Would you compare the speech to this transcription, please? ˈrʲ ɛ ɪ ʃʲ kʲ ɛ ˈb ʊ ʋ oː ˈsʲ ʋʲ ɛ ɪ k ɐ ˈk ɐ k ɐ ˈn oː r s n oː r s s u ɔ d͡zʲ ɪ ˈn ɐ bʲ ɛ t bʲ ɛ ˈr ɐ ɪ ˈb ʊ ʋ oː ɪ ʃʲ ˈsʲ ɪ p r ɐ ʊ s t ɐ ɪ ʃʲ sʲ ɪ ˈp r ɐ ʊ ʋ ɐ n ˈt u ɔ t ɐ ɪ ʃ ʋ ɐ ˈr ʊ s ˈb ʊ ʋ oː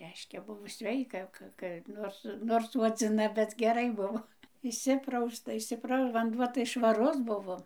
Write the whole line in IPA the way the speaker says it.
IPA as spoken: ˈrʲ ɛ ɪ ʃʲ kʲ ɛ ˈb ʊ ʋ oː ˈsʲ ʋʲ ɛ ɪ k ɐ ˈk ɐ k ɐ ˈn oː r s n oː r s s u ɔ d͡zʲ ɪ ˈn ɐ bʲ ɛ t ɡʲ ɛ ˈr ɐ ɪ ˈb ʊ ʋ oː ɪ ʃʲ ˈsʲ ɪ p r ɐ ʊ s t ɐ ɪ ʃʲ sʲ ɪ ˈp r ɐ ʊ ʋ ɐ n ˈd u ɔ t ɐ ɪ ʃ ʋ ɐ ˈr ʊ s ˈb ʊ ʋ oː